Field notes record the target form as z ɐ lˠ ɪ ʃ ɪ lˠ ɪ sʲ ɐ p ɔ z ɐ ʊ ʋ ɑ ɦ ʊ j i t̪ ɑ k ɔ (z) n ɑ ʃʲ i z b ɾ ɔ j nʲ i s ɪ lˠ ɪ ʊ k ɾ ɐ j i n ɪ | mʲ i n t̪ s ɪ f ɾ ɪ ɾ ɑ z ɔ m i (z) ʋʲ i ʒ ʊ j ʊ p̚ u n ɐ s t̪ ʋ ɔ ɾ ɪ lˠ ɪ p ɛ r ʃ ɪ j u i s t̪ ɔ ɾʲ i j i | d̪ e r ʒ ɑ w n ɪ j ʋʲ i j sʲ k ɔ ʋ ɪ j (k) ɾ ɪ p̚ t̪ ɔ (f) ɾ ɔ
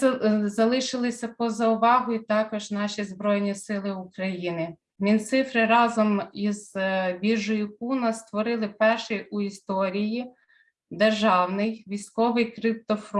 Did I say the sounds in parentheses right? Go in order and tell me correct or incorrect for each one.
incorrect: ʒ, correct, correct, correct

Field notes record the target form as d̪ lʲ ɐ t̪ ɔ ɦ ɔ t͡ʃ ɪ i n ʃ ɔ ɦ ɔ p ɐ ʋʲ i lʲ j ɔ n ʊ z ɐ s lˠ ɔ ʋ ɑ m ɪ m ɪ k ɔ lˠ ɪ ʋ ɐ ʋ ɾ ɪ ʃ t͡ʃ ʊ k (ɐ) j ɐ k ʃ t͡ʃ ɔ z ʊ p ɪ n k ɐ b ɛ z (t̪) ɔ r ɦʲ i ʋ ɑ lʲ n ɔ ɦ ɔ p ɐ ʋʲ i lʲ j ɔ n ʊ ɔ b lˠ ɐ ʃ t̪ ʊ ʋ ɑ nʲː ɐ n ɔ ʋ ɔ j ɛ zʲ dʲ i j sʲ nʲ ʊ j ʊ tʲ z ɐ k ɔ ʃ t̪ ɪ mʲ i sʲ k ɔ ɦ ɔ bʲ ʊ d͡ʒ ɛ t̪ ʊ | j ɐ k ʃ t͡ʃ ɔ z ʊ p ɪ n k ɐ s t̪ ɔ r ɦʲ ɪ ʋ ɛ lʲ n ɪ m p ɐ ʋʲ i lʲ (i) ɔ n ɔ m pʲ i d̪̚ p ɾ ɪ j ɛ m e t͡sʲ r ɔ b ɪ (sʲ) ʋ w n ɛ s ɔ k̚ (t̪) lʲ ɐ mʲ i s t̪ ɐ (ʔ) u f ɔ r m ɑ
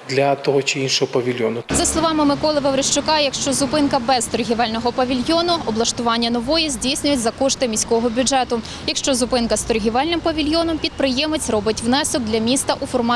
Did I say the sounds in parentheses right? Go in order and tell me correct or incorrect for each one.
incorrect: ɑ, correct, incorrect: j, incorrect: tʲ, incorrect: d̪, correct

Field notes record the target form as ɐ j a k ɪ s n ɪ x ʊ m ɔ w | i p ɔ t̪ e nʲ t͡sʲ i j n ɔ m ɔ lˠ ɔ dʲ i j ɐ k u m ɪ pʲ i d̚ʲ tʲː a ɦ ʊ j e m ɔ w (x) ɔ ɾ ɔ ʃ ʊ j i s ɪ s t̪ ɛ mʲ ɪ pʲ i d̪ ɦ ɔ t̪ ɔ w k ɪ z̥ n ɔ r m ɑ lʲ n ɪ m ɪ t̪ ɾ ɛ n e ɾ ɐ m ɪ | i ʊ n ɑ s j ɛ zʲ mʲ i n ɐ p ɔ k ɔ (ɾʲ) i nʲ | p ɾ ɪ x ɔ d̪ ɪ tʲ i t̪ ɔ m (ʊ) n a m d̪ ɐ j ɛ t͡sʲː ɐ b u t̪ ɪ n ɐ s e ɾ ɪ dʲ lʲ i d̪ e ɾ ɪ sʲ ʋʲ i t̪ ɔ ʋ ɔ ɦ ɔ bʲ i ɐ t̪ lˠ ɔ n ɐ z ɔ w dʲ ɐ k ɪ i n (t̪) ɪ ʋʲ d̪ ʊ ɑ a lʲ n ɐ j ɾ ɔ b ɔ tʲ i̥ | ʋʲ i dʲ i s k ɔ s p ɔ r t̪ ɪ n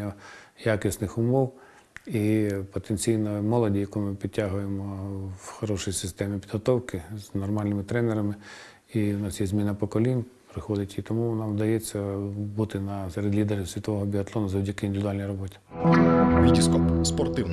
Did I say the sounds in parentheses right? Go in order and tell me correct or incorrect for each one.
correct, incorrect: lʲ, incorrect: u, incorrect: d̪

